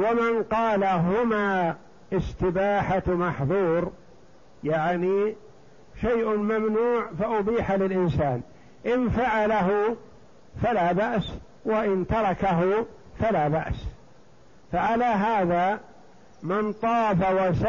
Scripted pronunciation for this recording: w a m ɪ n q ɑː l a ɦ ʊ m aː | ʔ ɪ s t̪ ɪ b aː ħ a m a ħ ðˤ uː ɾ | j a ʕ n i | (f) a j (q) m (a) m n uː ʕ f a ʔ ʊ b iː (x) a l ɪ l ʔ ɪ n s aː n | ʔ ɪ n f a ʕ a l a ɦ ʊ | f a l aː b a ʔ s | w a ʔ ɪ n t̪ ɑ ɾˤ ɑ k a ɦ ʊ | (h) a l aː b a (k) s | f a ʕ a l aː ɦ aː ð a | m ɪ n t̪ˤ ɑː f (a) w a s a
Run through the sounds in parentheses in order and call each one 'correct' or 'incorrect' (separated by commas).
incorrect, incorrect, correct, incorrect, incorrect, incorrect, correct